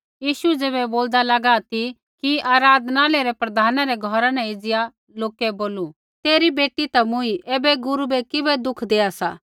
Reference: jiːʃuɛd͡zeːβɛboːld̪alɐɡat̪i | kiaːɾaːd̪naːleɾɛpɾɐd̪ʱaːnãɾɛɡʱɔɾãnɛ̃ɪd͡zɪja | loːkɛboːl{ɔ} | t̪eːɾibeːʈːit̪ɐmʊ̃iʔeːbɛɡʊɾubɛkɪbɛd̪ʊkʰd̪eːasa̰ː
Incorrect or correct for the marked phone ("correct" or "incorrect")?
incorrect